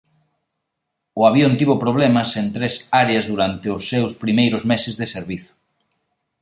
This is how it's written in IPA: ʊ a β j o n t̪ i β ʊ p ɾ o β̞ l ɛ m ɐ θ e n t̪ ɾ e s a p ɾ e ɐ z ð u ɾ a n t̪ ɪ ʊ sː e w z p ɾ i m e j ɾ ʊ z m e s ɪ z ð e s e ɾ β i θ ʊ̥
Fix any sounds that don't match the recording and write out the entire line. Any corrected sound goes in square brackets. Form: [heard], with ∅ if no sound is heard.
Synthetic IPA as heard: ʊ a β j o n t̪ i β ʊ p ɾ o β̞ l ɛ m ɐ [s] e n t̪ ɾ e s a [∅] ɾ e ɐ z ð u ɾ a n t̪ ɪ ʊ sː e w [s] p ɾ i m e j ɾ ʊ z m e s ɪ z ð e s e ɾ β i θ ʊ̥